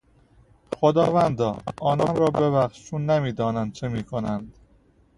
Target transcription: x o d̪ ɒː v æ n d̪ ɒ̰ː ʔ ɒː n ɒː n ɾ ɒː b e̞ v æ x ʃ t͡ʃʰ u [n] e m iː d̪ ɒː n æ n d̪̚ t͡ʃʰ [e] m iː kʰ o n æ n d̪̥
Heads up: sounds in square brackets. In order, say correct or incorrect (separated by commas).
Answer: incorrect, correct